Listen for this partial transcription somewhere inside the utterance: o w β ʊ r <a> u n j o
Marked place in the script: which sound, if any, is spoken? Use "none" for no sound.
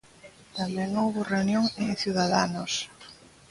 e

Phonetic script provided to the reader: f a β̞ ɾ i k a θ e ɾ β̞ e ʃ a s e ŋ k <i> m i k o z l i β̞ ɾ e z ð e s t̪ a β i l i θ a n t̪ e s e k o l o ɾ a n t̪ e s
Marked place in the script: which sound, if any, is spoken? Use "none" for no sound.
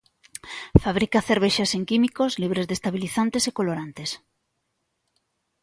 i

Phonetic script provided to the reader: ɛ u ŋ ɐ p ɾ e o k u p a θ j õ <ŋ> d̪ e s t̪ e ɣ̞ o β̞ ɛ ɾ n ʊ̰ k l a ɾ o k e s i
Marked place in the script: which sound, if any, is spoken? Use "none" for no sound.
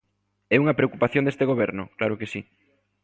n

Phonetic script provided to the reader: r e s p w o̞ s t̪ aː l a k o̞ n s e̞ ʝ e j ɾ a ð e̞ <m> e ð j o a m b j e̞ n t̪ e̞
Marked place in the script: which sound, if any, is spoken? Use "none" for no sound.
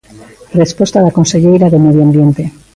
m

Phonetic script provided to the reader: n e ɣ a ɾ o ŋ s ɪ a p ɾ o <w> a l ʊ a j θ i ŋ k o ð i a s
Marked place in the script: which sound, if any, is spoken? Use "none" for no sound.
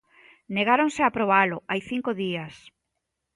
β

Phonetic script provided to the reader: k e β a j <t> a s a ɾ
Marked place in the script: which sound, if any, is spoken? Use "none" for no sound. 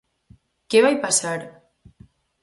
p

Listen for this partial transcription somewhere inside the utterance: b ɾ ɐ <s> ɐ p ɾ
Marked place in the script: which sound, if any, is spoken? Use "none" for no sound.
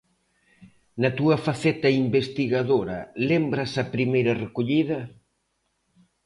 s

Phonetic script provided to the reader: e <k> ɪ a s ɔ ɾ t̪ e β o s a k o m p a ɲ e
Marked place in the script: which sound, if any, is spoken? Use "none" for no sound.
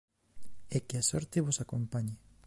k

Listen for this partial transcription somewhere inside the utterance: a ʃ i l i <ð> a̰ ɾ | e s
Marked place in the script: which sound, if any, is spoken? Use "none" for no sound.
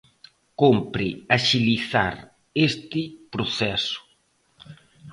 θ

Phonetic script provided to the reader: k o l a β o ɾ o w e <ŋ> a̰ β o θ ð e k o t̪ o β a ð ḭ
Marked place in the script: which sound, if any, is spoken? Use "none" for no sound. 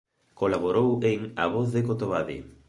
ŋ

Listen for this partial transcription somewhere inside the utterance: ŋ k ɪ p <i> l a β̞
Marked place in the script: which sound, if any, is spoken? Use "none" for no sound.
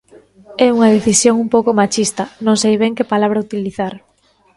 a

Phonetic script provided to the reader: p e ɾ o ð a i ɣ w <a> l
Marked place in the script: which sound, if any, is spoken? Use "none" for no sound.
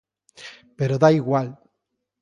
a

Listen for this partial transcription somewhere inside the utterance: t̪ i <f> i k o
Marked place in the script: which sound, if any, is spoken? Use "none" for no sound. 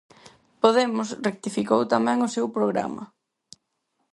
f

